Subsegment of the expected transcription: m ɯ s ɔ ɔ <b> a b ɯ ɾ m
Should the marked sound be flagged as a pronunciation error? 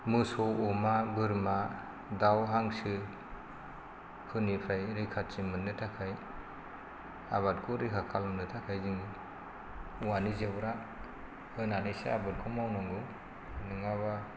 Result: yes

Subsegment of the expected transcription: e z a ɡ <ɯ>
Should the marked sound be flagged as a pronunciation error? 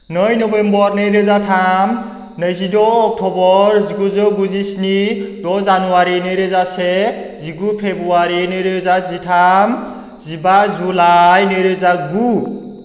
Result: yes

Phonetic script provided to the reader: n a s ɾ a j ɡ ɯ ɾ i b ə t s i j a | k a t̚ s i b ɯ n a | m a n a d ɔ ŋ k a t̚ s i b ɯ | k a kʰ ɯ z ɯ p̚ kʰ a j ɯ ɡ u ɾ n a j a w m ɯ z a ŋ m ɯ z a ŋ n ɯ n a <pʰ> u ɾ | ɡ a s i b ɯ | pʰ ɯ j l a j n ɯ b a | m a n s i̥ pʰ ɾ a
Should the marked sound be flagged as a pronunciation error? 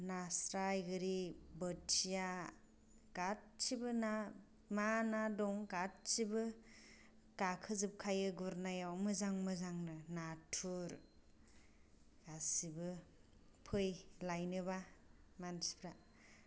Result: yes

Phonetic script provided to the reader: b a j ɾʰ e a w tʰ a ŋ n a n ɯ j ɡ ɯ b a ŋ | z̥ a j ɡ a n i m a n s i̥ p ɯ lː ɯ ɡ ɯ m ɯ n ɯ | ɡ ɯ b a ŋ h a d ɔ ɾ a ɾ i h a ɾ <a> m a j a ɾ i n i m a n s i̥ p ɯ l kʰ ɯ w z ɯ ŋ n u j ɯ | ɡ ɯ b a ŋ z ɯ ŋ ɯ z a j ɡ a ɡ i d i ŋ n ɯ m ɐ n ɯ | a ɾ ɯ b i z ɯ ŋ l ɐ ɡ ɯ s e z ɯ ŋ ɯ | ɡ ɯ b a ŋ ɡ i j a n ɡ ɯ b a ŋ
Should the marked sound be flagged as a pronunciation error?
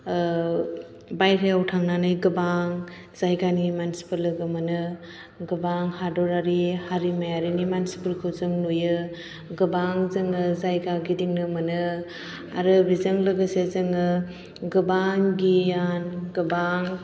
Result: yes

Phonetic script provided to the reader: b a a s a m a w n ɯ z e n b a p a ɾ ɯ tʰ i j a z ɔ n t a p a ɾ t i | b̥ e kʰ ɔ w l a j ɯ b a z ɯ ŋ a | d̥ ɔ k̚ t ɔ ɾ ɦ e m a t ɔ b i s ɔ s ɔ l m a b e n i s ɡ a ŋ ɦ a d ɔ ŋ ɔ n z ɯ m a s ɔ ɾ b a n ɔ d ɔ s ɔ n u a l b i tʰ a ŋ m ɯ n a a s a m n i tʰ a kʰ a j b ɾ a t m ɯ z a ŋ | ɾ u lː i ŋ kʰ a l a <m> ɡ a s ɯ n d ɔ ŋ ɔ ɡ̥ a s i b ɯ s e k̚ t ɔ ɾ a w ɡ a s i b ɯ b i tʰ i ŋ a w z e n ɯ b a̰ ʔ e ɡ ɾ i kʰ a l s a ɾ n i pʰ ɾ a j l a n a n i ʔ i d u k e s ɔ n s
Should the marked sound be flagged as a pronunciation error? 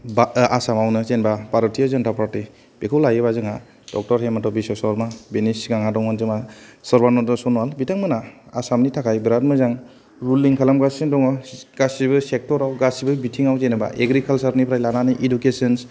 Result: no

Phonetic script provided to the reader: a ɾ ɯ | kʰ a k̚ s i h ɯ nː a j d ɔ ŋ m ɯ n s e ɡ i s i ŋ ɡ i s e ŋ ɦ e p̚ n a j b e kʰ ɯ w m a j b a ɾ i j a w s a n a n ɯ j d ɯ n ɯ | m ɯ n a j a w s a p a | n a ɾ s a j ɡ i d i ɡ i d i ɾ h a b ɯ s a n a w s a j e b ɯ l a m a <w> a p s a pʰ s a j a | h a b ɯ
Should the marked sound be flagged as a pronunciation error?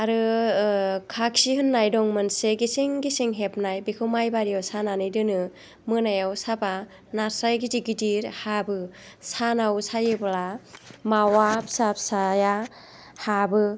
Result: no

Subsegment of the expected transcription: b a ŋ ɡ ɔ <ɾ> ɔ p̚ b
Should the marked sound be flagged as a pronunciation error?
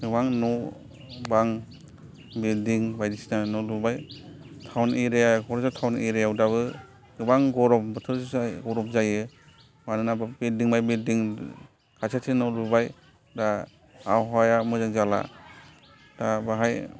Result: no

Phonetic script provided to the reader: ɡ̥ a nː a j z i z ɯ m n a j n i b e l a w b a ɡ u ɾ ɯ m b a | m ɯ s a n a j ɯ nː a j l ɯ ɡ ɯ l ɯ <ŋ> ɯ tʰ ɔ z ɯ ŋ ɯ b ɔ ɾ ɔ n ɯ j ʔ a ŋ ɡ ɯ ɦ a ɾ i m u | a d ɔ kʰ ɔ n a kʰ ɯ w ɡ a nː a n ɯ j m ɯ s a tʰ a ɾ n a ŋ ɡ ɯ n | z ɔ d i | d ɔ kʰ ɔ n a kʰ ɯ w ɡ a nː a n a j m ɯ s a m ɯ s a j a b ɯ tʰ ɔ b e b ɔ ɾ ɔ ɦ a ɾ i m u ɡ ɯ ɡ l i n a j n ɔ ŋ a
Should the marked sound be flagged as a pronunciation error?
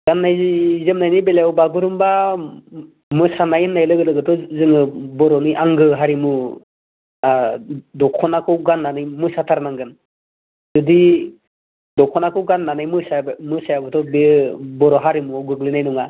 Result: yes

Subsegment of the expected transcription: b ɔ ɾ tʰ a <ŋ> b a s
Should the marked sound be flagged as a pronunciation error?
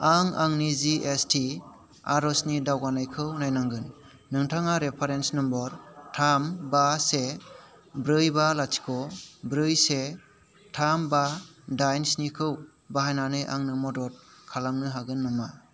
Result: yes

